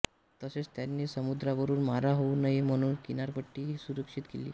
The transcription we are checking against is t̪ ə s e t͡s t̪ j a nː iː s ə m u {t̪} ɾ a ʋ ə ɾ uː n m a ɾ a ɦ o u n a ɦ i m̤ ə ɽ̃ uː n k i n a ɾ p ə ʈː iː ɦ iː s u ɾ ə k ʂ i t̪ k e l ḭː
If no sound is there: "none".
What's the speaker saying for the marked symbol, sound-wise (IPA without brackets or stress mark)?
d̪